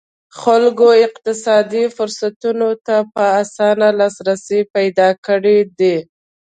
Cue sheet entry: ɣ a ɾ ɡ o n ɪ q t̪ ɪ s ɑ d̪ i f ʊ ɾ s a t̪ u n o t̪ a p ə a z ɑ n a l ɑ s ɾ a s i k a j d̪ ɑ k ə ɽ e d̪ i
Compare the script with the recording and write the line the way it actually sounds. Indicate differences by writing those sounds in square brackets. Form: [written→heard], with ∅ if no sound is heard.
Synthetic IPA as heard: [ɣ→x] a [ɾ→l] ɡ o [n→∅] ɪ q t̪ ɪ s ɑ d̪ i f ʊ ɾ s a t̪ u n o t̪ a p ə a [z→s] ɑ n a l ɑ s ɾ a s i [k→p] a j d̪ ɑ k ə ɽ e d̪ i